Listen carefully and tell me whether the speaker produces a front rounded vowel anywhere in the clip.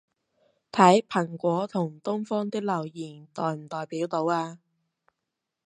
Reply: no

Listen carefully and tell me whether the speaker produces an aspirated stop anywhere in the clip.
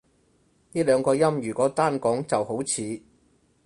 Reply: yes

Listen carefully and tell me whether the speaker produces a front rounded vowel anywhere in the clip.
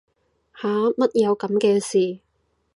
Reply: no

